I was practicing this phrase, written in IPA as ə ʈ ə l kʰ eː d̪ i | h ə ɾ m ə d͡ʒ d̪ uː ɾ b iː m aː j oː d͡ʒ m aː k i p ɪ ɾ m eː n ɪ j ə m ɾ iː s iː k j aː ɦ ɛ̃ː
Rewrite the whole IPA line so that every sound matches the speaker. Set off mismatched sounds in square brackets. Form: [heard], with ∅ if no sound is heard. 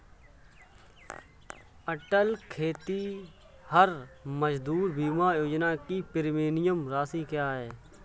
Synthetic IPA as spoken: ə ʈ ə l kʰ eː [t̪] i | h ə ɾ m ə d͡ʒ d̪ uː ɾ b iː m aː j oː d͡ʒ [n] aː k i p ɪ ɾ m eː n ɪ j ə m ɾ [aː] s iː k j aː ɦ [ɛː]